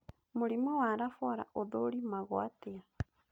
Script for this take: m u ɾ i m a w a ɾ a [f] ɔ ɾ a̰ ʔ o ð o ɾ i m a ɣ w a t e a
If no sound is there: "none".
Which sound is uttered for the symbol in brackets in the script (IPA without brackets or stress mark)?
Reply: f